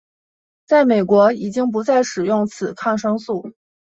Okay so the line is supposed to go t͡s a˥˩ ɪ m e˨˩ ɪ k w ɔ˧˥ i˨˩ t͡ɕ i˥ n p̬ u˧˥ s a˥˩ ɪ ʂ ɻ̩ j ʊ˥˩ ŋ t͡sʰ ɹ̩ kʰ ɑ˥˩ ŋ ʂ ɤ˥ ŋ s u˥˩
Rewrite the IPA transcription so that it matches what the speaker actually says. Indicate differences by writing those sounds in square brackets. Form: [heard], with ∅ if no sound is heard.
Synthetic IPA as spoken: t͡s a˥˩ ɪ m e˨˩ ɪ k w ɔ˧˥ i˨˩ t͡ɕ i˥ [ŋ] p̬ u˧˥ [t͡s] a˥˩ ɪ ʂ ɻ̩ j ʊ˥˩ ŋ t͡sʰ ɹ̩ kʰ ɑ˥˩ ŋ ʂ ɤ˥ ŋ s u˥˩